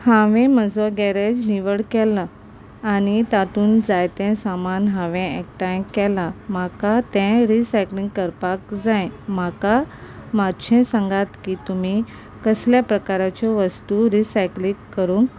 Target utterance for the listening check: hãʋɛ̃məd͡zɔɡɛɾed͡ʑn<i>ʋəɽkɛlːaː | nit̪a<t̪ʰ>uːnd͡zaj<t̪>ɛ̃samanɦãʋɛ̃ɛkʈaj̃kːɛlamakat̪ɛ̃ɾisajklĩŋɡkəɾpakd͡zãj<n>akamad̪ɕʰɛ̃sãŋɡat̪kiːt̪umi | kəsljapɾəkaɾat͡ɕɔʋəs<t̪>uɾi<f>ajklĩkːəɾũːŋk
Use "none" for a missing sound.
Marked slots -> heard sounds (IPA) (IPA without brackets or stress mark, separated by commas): i, t̪, t̪, m, t̪, s